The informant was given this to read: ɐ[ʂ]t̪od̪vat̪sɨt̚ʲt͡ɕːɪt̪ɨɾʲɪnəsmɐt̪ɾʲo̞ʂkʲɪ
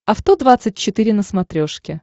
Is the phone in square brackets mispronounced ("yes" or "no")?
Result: yes